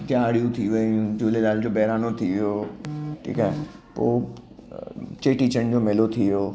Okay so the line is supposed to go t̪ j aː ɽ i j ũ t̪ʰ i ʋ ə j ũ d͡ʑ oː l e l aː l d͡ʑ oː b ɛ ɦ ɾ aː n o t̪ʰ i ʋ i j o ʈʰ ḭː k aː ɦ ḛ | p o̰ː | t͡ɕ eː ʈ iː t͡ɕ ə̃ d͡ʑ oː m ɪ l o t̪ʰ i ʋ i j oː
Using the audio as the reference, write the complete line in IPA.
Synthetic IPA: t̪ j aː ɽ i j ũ t̪ʰ i ʋ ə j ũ d͡ʑ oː l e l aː l d͡ʑ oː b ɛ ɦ ɾ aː n o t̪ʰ i ʋ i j o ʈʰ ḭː k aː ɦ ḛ | p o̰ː | t͡ɕ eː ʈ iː t͡ɕ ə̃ d͡ʑ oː m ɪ l o t̪ʰ i ʋ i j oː

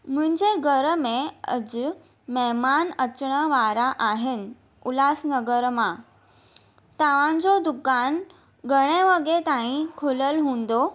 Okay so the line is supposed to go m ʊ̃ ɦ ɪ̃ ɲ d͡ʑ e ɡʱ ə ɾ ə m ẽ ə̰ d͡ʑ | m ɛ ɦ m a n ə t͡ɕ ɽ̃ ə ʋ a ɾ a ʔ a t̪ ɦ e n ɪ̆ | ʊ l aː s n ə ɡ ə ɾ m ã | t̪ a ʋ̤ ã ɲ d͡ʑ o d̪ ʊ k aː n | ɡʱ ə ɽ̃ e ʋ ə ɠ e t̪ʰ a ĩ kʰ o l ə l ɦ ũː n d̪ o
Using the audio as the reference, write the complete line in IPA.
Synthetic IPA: m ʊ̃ ɦ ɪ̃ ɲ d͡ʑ e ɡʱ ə ɾ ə m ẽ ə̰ d͡ʑ | m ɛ ɦ m a n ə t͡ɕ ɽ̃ ə ʋ a ɾ a ʔ a ɦ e n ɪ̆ | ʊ l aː s n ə ɡ ə ɾ m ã | t̪ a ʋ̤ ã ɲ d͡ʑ o d̪ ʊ k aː n | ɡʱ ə ɽ̃ e ʋ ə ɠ e t̪ a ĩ kʰ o l ə l ɦ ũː n d̪ o

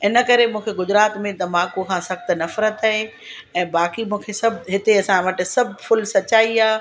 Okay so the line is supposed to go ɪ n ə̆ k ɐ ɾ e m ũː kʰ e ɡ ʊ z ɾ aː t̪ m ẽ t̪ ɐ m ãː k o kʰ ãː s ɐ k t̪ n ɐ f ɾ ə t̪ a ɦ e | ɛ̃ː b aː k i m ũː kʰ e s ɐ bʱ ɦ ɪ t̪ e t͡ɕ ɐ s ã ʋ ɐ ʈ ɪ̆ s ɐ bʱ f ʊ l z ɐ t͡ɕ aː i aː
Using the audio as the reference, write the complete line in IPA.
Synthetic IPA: ɪ n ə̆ k ɐ ɾ e m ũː kʰ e ɡ ʊ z ɾ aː t̪ m ẽ t̪ ɐ m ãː k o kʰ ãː s ɐ x t̪ n ɐ f ɾ ə t̪ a ɦ e | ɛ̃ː b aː k i m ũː kʰ e s ɐ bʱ ɦ ɪ t̪ e ɐ s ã ʋ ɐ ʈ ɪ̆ s ɐ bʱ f ʊ l s ɐ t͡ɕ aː i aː

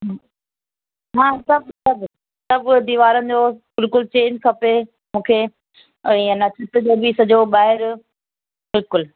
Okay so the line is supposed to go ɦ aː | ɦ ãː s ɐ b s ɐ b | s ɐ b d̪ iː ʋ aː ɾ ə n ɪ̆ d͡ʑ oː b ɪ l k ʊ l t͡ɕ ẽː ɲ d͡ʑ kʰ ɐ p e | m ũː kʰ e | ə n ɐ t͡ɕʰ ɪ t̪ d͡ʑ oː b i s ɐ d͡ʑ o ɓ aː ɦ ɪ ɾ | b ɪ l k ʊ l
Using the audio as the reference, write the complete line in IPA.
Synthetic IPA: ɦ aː | ɦ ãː s ɐ b s ɐ b | s ɐ b d̪ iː ʋ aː ɾ ə n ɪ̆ d͡ʑ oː b ɪ l k ʊ l t͡ɕ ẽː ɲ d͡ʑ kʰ ɐ p e | m ũː kʰ e | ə n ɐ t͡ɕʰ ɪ t̪ d͡ʑ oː b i s ɐ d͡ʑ o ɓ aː ɦ ɪ ɾ | b ɪ l k ʊ l

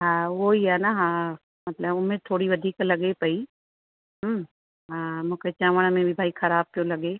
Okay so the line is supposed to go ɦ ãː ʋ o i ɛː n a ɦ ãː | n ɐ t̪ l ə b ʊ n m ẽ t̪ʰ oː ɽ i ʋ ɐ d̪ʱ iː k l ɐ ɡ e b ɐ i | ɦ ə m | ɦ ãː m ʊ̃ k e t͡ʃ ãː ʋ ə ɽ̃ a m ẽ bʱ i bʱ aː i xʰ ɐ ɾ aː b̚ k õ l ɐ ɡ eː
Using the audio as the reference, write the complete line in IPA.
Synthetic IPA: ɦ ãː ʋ o i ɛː n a ɦ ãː | m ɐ t̪ l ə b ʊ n m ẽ t̪ʰ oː ɽ i ʋ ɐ d̪ʱ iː k l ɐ ɡ e p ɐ i | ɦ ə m | ɦ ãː m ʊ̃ k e t͡ʃ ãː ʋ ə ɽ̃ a m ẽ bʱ i bʱ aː i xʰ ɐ ɾ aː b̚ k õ l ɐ ɡ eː

